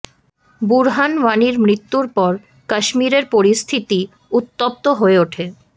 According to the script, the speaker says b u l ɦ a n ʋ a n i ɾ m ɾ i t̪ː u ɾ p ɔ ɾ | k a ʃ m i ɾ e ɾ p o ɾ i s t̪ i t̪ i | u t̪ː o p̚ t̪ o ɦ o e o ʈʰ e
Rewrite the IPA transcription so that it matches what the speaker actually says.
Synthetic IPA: b u ɾ ɦ a n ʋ a n i ɾ m ɾ i t̪ː u ɾ p ɔ ɾ | k a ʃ m i ɾ e ɾ p o ɾ i s t̪ʰ i t̪ i | u t̪ː o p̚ t̪ o ɦ o e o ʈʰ e